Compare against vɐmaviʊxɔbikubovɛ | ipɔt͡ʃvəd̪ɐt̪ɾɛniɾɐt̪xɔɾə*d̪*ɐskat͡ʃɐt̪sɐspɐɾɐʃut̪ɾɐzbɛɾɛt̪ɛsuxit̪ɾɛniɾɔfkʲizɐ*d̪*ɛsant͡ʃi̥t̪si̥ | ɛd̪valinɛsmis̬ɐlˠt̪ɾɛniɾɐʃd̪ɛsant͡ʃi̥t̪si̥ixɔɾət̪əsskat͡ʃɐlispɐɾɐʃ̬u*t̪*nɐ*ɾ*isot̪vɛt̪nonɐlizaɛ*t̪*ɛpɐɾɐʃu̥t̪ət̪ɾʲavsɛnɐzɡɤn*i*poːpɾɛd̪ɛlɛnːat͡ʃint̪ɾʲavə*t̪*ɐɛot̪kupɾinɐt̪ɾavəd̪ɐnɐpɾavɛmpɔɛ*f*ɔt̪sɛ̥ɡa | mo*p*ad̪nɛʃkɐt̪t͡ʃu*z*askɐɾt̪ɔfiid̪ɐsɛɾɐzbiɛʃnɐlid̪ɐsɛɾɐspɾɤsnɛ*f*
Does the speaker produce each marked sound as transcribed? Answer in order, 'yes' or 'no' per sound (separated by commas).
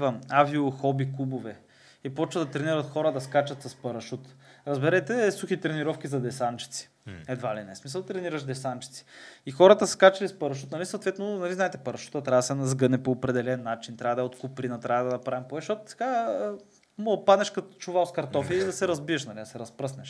yes, yes, yes, no, yes, no, no, no, yes, no, no